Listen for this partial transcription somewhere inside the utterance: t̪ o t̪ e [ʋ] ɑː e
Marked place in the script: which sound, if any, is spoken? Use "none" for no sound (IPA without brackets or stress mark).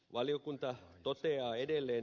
none